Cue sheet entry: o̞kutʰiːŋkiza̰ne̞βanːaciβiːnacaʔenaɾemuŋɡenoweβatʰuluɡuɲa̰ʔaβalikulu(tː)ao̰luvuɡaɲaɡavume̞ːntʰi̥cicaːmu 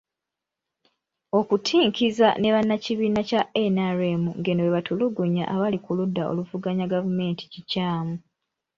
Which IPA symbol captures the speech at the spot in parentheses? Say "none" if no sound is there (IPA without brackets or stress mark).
dː